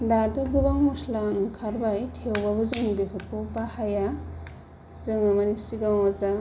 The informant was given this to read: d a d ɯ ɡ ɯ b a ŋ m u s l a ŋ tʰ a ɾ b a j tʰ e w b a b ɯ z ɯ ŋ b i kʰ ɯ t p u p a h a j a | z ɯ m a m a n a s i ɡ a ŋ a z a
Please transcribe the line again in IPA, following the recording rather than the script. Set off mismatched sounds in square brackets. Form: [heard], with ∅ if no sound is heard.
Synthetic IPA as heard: d a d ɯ ɡ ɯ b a ŋ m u s l a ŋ [kʰ] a ɾ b a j tʰ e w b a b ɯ z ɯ ŋ b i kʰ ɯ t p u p a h a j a | z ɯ [ŋ] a m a n [i] s i ɡ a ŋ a z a